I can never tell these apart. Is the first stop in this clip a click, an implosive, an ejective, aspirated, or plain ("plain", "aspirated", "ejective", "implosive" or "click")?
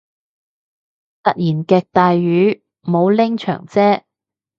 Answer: plain